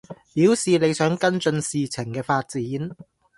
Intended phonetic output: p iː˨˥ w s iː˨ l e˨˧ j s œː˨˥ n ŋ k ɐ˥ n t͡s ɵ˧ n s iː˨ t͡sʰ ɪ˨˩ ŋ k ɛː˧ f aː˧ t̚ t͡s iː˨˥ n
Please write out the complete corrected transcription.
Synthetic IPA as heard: p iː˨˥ w s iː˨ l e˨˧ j s œː˨˥ ŋ k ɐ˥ n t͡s ɵ˧ n s iː˨ t͡sʰ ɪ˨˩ ŋ k ɛː˧ f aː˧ t̚ t͡s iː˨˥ n